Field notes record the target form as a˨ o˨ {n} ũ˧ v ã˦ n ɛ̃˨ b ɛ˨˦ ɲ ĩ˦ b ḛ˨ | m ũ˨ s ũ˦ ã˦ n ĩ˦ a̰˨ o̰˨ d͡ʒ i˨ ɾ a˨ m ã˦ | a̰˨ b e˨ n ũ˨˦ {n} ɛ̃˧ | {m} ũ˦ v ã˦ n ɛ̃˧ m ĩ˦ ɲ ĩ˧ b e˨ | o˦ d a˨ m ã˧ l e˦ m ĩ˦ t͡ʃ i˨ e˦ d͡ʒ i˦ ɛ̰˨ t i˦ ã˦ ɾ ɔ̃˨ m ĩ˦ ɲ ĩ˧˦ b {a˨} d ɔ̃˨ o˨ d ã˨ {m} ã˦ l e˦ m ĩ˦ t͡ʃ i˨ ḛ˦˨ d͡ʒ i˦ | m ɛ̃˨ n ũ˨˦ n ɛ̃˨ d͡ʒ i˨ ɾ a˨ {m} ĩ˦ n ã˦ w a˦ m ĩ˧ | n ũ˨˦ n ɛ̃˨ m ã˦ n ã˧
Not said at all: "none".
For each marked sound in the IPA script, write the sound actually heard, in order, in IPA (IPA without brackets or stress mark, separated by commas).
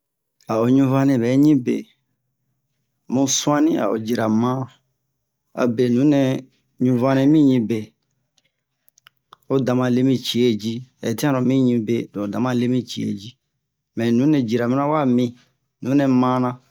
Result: ɲ, n, ɲ, e˨, m, m